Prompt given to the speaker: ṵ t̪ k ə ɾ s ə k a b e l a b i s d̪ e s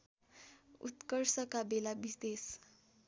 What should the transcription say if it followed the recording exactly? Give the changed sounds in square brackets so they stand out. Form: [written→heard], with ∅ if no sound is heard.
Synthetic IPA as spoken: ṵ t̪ k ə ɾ s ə k a b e l a b i s d̪ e s